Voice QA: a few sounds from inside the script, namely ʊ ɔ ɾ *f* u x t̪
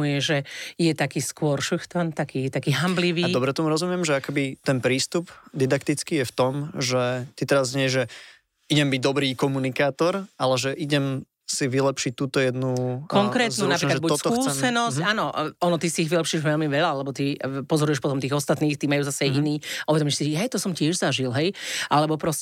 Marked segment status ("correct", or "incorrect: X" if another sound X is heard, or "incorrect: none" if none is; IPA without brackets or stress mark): incorrect: ʃ